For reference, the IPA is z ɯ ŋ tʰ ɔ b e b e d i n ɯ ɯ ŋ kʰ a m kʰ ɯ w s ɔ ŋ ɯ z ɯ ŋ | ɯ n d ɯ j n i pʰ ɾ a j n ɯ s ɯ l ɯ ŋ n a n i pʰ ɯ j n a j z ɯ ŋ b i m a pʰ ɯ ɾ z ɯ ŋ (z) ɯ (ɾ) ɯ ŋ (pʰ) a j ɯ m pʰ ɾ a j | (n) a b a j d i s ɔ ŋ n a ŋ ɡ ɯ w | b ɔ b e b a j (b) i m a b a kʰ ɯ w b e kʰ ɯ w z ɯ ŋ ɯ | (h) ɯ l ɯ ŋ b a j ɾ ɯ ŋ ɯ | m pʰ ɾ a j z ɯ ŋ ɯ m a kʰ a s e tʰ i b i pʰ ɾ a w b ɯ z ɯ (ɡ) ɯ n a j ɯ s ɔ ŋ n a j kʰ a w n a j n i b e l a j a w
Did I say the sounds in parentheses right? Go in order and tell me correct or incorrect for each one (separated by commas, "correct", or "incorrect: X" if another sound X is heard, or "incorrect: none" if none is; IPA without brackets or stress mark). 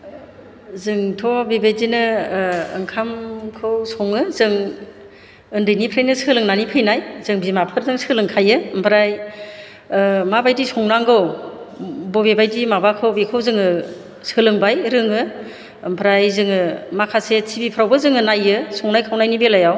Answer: incorrect: s, incorrect: l, incorrect: kʰ, incorrect: m, incorrect: d, incorrect: s, incorrect: ŋ